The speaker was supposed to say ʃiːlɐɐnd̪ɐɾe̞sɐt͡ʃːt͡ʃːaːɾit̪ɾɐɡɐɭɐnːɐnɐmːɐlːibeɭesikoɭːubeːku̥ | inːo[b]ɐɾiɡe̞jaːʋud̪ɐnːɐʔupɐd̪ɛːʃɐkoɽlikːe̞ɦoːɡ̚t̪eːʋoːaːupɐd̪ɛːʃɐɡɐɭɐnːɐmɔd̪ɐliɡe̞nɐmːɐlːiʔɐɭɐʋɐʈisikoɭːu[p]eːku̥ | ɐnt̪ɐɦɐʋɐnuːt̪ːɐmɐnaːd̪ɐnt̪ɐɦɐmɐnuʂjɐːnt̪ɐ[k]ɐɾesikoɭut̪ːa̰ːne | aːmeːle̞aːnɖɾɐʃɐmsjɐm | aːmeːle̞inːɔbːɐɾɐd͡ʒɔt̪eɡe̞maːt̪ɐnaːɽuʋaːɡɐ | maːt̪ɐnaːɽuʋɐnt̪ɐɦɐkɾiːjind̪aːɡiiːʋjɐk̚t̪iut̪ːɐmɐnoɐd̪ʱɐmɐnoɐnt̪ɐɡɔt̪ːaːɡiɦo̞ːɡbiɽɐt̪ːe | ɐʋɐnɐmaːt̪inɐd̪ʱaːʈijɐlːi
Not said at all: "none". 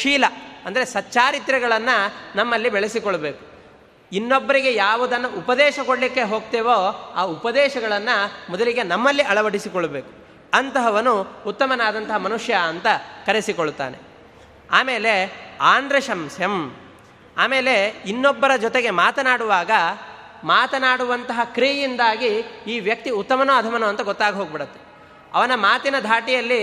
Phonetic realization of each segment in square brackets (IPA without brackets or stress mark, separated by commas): bː, b, k